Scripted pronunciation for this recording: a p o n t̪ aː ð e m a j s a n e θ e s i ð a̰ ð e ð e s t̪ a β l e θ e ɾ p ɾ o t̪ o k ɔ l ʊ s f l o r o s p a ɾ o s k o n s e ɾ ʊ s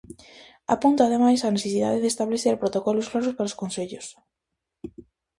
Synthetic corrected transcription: a p u n t̪ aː ð e m a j s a n e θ e s i ð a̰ ð e ð e s t̪ a β l e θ e ɾ p ɾ o t̪ o k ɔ l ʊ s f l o ɾ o s p a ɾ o s k o n s e ʎ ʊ s